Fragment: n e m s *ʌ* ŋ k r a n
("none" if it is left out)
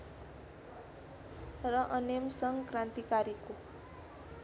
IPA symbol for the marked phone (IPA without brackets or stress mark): ʌ